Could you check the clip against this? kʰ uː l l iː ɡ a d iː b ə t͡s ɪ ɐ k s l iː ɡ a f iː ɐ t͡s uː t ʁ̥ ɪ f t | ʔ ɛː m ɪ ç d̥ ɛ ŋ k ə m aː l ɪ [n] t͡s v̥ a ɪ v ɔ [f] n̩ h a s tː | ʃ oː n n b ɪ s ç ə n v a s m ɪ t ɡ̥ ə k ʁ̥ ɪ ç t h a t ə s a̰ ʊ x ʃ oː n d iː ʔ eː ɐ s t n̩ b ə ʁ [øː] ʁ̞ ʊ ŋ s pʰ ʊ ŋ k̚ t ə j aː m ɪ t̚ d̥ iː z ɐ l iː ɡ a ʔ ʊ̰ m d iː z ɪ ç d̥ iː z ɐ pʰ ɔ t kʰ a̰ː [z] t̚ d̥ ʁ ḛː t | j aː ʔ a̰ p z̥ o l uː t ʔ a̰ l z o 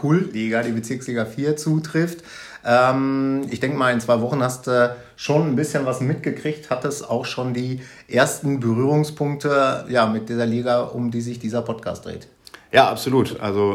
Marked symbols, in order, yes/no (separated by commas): yes, no, no, no